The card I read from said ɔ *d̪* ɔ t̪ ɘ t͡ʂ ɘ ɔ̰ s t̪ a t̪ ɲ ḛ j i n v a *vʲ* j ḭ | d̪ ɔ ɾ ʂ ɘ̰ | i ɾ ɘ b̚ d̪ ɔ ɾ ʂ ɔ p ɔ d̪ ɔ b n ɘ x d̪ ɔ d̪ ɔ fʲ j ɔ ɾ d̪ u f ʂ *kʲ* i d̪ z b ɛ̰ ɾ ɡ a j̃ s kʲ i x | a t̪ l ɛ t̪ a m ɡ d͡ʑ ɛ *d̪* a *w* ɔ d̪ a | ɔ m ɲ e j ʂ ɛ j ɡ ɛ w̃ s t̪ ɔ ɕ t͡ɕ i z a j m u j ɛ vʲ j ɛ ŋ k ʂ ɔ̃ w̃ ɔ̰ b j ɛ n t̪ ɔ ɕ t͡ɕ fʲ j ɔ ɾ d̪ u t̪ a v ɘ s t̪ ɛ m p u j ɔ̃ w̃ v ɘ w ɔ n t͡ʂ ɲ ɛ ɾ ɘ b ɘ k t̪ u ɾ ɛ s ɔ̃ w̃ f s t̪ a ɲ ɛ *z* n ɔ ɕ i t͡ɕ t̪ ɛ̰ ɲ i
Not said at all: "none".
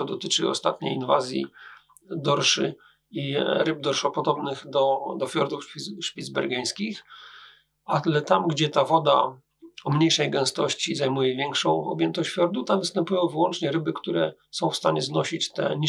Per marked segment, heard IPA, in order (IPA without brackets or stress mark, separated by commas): d̪, zʲ, pʲ, t̪, v, z